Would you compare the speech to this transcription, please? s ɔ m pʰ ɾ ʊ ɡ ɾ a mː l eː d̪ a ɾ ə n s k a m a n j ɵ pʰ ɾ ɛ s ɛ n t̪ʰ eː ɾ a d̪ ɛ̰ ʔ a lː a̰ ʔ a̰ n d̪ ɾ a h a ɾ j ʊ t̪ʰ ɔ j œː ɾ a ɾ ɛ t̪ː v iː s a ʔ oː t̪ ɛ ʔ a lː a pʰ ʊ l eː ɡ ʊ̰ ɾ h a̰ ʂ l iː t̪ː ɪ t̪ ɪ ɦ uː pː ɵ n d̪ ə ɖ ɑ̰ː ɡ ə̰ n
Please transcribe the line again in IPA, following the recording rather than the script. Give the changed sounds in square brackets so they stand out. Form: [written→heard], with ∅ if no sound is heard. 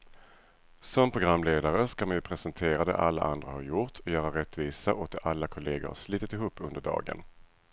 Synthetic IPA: s ɔ m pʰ ɾ ʊ ɡ ɾ a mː l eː d̪ a ɾ ə [n→∅] s k a m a n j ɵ pʰ ɾ ɛ s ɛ n t̪ʰ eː ɾ a d̪ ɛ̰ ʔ a lː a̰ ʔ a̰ n d̪ ɾ a h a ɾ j ʊ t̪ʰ ɔ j œː ɾ a ɾ ɛ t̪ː v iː s a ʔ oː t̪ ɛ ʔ a lː a [pʰ→kʰ] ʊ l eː ɡ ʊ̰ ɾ h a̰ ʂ l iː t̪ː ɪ t̪ ɪ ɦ uː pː ɵ n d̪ ə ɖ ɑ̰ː ɡ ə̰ n